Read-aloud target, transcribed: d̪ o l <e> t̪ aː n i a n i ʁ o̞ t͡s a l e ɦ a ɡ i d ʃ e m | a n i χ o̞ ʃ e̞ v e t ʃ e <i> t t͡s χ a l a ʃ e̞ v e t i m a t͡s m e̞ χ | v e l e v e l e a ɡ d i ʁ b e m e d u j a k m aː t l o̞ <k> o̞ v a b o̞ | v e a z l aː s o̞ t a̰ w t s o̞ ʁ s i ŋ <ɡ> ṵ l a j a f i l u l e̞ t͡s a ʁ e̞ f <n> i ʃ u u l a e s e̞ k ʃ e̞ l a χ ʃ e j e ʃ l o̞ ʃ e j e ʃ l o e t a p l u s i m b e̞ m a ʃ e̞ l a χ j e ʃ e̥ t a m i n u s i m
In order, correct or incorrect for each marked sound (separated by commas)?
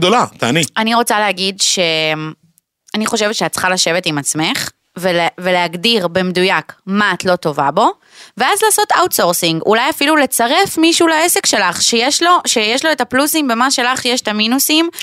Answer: incorrect, incorrect, incorrect, correct, incorrect